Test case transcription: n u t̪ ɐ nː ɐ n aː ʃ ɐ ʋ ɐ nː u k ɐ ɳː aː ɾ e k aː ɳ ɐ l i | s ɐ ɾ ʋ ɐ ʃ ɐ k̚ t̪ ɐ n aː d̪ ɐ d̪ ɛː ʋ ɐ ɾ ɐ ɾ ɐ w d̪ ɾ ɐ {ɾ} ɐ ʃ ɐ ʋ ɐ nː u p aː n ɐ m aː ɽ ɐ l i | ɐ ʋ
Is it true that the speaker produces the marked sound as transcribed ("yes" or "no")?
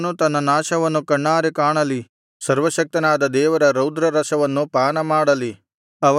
yes